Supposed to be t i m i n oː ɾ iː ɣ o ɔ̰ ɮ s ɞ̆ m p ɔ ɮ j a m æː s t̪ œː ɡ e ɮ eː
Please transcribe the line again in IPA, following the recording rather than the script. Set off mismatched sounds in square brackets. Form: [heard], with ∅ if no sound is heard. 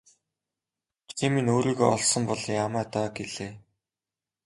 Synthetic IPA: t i m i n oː ɾ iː ɣ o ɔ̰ ɮ s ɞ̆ m p ɔ ɮ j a m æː [∅] t̪ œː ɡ e ɮ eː